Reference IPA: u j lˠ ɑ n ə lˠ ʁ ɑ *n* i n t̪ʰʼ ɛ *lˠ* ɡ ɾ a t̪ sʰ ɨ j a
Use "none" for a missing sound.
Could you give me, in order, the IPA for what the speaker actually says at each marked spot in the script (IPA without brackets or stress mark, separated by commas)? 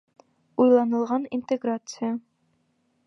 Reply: n, none